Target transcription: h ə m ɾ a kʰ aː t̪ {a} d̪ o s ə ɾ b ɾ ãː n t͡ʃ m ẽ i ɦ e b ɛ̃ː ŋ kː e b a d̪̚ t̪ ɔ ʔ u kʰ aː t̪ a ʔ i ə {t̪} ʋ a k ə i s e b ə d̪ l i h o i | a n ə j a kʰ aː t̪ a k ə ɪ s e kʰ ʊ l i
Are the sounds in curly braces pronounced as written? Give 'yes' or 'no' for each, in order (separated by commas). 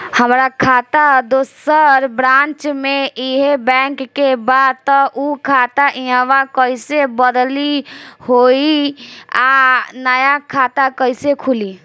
yes, no